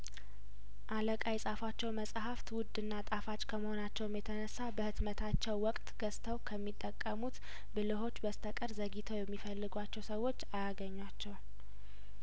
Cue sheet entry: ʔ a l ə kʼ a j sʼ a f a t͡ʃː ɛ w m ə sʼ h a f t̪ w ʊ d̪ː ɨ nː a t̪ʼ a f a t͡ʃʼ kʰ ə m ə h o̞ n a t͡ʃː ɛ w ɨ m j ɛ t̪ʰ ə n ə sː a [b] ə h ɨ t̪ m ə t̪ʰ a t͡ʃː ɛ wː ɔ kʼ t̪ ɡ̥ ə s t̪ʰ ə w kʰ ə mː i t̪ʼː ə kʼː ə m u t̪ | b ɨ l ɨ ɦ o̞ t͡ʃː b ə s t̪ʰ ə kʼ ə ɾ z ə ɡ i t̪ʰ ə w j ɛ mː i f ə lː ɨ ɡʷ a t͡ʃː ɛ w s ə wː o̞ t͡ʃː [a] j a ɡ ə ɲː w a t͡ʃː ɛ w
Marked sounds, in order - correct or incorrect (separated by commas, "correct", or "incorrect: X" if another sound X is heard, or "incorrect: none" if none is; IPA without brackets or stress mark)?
correct, correct